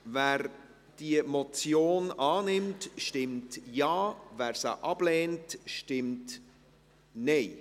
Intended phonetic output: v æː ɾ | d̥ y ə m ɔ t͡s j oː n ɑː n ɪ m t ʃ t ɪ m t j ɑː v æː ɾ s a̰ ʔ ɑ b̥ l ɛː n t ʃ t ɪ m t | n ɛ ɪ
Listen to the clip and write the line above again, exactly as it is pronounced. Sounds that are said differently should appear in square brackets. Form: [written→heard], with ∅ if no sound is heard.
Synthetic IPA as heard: v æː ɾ | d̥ [y→i] ə m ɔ t͡s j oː n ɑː n ɪ m t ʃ t ɪ m t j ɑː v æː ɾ s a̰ ʔ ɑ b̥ l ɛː n t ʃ t ɪ m t | n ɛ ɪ

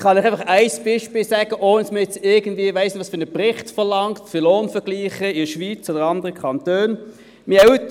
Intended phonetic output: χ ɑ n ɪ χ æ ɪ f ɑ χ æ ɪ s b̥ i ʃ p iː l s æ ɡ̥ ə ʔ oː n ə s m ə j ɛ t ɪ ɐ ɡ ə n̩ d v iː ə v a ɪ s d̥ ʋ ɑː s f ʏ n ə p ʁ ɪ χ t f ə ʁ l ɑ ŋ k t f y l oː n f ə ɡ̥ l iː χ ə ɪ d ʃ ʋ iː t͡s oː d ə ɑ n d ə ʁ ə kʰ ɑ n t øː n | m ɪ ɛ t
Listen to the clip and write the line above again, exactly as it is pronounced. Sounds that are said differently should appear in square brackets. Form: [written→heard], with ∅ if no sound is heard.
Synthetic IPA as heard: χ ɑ n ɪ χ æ ɪ f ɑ χ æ ɪ s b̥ i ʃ p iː l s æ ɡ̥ ə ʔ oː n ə s m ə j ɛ [t→t͡s] ɪ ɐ ɡ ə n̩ d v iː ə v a ɪ s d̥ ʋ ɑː s f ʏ n ə p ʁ ɪ χ t f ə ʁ l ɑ ŋ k t f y l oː n f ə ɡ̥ l iː χ ə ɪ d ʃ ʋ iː t͡s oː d ə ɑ n d ə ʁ ə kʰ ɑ n t øː n | m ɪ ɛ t

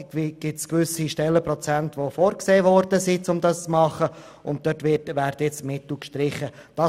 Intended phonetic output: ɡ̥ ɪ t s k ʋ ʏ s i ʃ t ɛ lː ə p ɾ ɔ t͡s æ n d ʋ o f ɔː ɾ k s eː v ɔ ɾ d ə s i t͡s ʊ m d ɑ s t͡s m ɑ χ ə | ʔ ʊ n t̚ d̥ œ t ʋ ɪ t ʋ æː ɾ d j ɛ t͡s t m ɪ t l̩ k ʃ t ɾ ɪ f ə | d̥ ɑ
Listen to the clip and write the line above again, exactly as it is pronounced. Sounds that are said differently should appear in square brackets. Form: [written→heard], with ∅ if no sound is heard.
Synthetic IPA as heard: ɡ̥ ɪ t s k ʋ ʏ s i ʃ t ɛ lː ə p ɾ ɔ t͡s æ n [d→t] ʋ o f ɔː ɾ k s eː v ɔ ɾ d ə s i t͡s ʊ m d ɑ s t͡s m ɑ χ ə | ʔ ʊ n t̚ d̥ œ t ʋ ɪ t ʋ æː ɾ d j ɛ t͡s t m ɪ t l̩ k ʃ t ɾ ɪ [f→χ] ə | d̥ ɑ

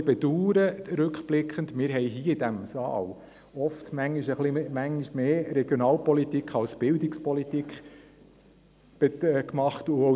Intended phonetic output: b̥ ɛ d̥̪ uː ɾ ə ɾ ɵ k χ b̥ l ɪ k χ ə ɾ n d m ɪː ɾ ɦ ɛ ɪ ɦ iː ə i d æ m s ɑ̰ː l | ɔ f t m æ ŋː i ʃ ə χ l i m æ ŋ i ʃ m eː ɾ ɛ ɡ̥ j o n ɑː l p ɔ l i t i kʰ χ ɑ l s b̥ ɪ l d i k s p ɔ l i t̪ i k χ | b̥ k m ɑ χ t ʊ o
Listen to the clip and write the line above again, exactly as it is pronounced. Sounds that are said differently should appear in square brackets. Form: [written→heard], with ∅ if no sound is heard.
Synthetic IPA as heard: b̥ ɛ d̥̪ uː ɾ ə ɾ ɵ k χ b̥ l ɪ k χ ə [ɾ→∅] n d m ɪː ɾ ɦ ɛ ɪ ɦ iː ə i d æ m s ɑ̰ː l | ɔ f t m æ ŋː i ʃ ə χ l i m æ ŋ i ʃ m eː ɾ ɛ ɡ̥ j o n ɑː l p ɔ l i t i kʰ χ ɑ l s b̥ ɪ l d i k s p ɔ l i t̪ i k χ | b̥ k m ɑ χ t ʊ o

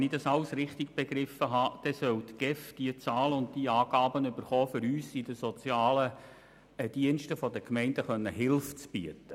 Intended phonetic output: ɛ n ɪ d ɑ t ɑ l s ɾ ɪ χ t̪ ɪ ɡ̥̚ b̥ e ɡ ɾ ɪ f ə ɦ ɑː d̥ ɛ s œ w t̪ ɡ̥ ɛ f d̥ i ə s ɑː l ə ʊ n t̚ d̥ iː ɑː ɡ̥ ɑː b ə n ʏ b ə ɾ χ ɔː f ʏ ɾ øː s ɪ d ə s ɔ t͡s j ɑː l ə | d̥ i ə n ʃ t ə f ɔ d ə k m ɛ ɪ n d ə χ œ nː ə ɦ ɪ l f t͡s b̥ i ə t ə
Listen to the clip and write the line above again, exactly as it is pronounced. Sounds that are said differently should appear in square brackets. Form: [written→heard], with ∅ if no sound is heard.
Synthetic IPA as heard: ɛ n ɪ d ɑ [t→s] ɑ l s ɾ ɪ χ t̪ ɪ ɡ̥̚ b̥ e ɡ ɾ ɪ f ə ɦ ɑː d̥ ɛ s œ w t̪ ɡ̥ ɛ f d̥ i ə [s→t͡s] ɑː l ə ʊ n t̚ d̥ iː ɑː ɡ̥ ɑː b ə n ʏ b ə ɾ χ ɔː f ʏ ɾ [øː→yː] s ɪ d ə s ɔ t͡s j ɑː l ə | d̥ i ə n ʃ t ə f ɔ d ə k m ɛ ɪ n d ə χ œ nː ə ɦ ɪ l f t͡s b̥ i ə t ə

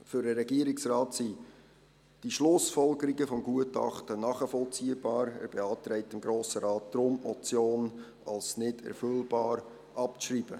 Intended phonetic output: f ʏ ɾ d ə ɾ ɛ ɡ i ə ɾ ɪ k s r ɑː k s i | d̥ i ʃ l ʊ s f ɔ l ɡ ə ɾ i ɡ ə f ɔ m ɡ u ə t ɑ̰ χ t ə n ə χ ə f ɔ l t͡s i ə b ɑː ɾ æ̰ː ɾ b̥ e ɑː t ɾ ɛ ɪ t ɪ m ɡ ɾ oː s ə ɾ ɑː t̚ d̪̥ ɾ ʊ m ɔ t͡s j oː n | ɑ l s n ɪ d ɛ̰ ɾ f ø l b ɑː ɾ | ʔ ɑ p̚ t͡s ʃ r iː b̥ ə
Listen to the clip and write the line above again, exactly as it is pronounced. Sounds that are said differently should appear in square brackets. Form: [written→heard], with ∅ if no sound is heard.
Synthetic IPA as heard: f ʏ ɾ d ə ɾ ɛ ɡ i ə ɾ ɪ k s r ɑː [k→t] s i | d̥ i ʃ l ʊ s f ɔ l ɡ ə ɾ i ɡ ə f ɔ m ɡ u ə t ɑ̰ χ t ə n [ə→ɑ] χ ə f ɔ l t͡s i ə b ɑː ɾ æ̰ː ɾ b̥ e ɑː t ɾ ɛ ɪ t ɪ m ɡ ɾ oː s ə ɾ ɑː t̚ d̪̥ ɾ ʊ m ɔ t͡s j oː n | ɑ l s n ɪ d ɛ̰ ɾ f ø l b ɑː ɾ | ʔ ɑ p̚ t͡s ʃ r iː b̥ ə

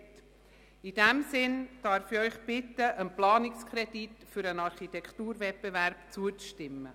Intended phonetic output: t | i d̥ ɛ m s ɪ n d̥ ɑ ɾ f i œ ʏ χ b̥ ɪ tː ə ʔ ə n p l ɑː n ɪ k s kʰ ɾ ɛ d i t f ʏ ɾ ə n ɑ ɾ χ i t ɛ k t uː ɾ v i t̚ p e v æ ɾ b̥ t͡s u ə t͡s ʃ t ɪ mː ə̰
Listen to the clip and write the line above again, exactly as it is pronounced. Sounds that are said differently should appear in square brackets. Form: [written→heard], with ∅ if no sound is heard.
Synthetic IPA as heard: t | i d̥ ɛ m s ɪ n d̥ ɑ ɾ f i œ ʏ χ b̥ ɪ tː ə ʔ ə n p l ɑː n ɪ k s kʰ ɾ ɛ d i t f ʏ ɾ ə n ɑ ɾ χ i t ɛ k t uː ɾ v [i→ɛ] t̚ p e v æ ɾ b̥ t͡s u ə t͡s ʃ t ɪ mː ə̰

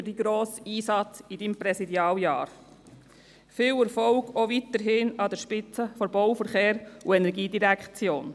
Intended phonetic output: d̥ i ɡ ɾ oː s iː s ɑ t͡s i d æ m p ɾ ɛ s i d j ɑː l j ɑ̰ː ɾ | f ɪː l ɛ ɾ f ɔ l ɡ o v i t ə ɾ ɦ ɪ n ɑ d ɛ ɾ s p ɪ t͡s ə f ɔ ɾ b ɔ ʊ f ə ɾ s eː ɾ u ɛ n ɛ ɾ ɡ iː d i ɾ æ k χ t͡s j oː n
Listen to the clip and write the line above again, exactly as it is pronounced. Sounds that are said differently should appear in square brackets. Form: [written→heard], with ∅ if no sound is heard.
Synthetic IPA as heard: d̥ i ɡ ɾ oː s iː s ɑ t͡s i d [æ→i] m p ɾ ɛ s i d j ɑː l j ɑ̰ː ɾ | f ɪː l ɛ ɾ f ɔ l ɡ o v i t ə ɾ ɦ ɪ n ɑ d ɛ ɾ [s→ʃ] p ɪ t͡s ə f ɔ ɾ b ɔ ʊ f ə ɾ [s→χ] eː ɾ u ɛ n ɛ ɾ ɡ iː d i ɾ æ k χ t͡s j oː n

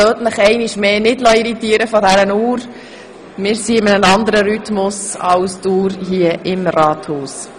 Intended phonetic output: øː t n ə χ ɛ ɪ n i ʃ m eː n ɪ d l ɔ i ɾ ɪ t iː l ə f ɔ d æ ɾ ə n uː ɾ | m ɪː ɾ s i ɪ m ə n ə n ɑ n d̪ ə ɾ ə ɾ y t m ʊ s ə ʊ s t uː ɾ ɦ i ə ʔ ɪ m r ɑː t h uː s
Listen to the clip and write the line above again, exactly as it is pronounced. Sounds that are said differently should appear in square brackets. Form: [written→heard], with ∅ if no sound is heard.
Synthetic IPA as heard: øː t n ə χ ɛ ɪ n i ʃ m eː n ɪ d l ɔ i ɾ [ɪ→i] t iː [l→ɾ] ə f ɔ d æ ɾ ə n uː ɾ | m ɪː ɾ s i ɪ m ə n ə n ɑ n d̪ ə ɾ ə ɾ y t m ʊ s [ə→ɑ] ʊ s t uː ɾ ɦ i ə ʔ ɪ m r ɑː t h uː s

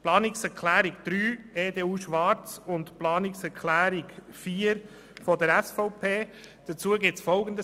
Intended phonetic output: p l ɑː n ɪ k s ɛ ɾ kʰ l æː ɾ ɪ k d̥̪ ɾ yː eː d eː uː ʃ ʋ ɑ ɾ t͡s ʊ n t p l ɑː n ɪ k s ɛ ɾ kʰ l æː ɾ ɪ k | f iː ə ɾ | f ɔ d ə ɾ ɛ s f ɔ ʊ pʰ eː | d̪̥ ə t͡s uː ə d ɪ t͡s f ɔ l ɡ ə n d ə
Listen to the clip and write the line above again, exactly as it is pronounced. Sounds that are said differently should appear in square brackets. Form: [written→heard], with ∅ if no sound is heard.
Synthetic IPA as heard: p l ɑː n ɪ k s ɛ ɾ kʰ l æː ɾ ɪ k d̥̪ ɾ yː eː d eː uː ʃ ʋ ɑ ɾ t͡s ʊ n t p l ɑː n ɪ k s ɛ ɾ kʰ l æː ɾ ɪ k | f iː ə ɾ | f ɔ d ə ɾ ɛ s f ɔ ʊ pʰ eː | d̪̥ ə t͡s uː ə [d→ɡ] ɪ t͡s f ɔ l ɡ ə n d ə

